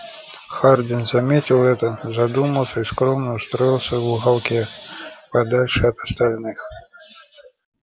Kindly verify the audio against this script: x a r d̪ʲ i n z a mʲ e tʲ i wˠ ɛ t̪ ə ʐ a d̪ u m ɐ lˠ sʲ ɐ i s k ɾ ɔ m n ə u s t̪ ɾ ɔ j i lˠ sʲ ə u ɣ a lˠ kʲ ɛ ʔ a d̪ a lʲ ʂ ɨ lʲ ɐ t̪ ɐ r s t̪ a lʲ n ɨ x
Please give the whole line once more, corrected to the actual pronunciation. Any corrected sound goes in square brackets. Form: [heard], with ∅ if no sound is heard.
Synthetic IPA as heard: x a r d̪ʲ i n z a mʲ e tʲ i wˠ ɛ t̪ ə [z] a d̪ u m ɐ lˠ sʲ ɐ i s k ɾ ɔ m n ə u s t̪ ɾ ɔ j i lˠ sʲ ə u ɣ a lˠ kʲ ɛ [p] a d̪ a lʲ ʂ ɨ [∅] ɐ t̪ ɐ [∅] s t̪ a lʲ n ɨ x